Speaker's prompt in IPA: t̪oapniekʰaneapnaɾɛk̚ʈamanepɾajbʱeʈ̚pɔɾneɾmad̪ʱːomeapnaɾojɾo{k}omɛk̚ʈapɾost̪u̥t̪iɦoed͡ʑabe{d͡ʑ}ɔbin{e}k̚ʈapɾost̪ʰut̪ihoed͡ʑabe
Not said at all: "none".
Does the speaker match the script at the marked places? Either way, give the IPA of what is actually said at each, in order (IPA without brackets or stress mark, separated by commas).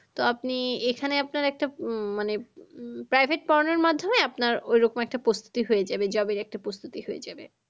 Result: k, d͡ʑ, ɛ